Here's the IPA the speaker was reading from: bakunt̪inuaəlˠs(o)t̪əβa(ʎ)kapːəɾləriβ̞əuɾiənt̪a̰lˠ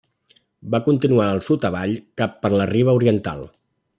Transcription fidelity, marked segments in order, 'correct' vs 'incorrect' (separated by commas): incorrect, correct